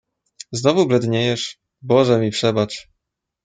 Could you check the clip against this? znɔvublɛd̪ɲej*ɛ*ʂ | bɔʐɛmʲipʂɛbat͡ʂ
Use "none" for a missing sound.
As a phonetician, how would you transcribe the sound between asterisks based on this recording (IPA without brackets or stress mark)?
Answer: ɛ